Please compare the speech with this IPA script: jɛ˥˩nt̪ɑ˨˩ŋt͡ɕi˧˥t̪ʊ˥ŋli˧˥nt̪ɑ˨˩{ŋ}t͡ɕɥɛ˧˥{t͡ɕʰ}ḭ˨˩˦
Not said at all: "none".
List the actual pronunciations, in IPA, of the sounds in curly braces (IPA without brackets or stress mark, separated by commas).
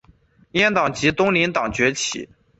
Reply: ŋ, t͡ɕʰ